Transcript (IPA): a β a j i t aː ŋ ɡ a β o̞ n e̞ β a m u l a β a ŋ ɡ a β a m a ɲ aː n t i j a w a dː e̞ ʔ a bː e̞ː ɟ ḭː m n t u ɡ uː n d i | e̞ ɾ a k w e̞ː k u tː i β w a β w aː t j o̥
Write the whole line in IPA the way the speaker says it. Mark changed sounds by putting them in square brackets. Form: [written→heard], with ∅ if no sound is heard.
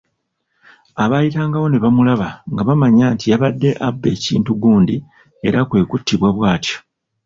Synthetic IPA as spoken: a β a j i t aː ŋ ɡ a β o̞ n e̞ β a m u l a β a ŋ ɡ a β a m a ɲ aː n t i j a [w→β] a dː e̞ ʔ a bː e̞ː [ɟ→c] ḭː [m→∅] n t u ɡ uː n d i | e̞ ɾ a k w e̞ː k u tː i β w a β w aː t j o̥